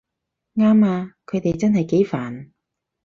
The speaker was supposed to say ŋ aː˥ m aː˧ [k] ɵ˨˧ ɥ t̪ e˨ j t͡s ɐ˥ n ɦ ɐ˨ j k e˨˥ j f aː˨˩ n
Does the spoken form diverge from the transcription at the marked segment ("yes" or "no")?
yes